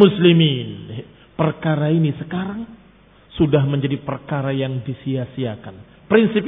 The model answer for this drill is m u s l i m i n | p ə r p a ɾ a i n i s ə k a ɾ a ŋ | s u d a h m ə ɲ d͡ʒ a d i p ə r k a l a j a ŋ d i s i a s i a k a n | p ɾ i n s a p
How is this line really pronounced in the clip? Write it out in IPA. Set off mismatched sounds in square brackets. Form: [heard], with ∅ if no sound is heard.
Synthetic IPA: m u s l i m i n | p ə r [k] a ɾ a i n i s ə k a ɾ a ŋ | s u d a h m ə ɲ d͡ʒ a d i p ə r k a [ɾ] a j a ŋ d i s i a s i a k a n | p ɾ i n s [i] p